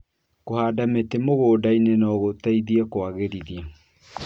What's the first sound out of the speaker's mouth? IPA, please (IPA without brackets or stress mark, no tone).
k